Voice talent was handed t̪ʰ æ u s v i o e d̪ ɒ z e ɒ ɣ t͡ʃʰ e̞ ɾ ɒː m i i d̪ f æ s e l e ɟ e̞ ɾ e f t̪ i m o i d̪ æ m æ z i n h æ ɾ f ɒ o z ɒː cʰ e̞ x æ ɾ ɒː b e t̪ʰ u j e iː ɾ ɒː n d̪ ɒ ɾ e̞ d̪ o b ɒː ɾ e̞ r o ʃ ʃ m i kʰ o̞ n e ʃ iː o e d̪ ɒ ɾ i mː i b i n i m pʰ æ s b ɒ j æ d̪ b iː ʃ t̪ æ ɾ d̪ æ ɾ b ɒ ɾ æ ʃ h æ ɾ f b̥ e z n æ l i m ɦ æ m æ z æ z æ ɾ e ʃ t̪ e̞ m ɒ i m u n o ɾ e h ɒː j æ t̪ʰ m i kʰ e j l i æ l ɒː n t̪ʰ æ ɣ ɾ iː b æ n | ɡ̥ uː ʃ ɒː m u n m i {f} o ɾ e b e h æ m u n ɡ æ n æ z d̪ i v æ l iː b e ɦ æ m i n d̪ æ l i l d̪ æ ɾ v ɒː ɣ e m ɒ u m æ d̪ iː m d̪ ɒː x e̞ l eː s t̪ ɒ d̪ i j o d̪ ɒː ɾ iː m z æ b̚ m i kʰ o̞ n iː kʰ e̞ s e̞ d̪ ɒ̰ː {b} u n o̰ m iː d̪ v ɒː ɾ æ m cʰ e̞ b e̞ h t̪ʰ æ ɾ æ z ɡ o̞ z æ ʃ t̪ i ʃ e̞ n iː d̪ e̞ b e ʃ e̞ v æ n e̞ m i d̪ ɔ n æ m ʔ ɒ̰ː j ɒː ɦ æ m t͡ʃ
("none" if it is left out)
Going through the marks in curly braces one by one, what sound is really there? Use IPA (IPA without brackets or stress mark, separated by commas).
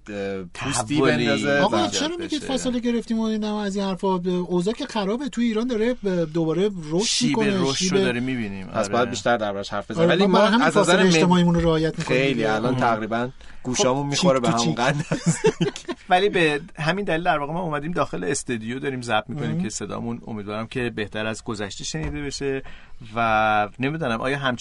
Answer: x, m